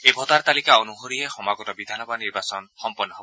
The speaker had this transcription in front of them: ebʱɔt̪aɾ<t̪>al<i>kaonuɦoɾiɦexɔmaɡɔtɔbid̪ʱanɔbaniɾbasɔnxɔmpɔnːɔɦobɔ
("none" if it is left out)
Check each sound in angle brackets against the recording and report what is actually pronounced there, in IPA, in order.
t̪, i

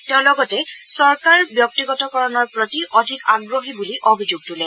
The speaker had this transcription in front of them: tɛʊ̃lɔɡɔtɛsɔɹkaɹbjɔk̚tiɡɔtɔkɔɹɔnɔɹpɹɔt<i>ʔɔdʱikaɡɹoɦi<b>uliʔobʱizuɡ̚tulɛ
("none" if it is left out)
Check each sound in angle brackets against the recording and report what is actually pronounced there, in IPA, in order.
i, b

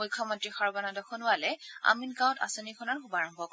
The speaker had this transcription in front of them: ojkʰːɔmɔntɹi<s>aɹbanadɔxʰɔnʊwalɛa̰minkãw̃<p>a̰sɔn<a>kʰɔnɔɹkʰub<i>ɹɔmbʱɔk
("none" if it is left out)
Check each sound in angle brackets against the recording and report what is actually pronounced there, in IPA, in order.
x, t, i, a

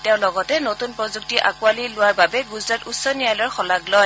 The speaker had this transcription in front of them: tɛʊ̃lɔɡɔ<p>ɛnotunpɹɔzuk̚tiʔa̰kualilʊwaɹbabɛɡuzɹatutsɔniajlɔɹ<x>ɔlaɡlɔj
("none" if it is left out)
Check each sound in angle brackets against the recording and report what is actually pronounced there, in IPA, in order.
t, x

